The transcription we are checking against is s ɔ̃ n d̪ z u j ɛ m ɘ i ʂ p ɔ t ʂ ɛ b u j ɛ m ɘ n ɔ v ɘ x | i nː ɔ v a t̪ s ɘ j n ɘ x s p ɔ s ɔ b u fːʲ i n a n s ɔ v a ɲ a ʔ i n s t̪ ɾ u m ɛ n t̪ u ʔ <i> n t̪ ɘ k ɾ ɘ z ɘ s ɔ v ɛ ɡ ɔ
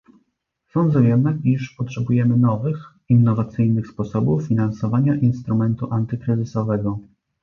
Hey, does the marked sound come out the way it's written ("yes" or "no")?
no